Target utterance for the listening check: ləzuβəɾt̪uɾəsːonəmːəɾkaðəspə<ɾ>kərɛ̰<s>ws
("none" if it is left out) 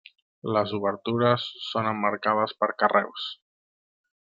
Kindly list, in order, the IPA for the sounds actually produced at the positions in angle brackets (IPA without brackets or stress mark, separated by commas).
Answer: ɾ, none